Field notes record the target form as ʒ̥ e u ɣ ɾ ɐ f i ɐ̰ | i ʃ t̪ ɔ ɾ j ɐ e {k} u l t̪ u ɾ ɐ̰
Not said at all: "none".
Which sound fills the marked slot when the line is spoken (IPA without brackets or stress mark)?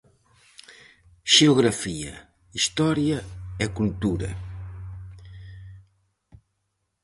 k